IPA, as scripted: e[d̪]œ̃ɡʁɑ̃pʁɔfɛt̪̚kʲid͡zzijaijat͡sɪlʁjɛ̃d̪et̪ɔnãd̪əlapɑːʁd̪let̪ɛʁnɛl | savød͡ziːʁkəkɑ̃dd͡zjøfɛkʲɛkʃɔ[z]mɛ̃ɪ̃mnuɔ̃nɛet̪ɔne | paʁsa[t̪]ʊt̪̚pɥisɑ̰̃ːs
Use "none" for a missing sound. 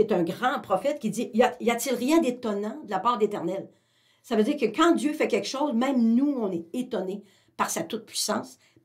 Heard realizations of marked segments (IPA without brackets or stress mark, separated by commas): t̪, z, t̪